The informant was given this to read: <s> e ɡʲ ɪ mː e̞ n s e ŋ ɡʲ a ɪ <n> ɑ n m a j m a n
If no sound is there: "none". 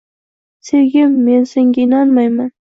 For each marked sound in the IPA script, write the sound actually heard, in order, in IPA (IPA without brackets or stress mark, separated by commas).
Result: s, n